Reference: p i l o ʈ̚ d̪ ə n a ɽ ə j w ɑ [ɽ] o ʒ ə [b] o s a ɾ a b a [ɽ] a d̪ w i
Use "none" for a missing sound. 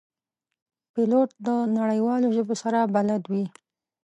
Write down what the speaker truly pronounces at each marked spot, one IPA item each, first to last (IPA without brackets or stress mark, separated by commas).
l, b, l